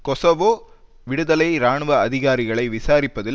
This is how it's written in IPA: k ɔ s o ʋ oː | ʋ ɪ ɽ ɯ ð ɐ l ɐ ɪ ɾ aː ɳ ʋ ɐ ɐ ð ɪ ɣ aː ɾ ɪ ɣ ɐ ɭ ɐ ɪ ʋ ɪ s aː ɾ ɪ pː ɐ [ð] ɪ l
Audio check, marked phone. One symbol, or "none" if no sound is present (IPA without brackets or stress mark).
ð